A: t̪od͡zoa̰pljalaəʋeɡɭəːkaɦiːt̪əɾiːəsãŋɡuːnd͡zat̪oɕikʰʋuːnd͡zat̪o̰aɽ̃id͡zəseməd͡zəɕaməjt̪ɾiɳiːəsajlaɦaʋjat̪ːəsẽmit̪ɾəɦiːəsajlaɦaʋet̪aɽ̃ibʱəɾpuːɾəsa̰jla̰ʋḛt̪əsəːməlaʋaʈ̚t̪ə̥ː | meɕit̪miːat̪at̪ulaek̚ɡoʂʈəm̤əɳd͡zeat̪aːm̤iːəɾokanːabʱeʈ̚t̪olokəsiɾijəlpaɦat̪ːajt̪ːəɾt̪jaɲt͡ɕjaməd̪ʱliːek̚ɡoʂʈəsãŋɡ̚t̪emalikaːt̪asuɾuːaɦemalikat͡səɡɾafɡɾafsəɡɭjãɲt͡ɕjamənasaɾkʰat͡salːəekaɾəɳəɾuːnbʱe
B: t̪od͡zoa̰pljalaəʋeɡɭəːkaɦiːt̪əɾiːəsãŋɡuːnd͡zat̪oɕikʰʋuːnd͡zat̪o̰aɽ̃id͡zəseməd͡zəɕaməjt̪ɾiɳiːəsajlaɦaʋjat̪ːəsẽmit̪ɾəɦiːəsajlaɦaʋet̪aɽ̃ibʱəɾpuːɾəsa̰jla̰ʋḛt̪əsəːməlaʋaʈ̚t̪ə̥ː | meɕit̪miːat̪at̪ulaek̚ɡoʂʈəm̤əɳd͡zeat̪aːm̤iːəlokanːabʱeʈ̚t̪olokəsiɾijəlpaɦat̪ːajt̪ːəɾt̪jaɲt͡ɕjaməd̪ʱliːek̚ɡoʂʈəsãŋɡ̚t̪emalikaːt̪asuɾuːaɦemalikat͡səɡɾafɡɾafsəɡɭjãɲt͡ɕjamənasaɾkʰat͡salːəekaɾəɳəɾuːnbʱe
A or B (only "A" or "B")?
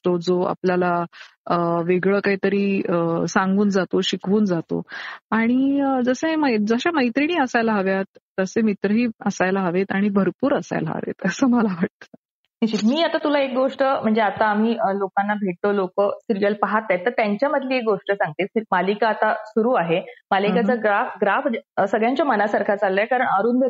B